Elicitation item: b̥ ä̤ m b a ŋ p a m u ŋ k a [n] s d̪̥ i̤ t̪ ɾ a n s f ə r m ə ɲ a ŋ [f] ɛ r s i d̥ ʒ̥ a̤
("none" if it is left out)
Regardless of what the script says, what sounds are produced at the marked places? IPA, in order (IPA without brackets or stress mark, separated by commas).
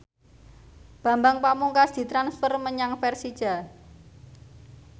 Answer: none, f